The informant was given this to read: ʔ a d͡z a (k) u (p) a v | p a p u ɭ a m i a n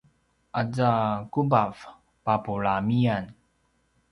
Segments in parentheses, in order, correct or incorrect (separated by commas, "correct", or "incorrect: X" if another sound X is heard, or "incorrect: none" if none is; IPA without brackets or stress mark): correct, incorrect: b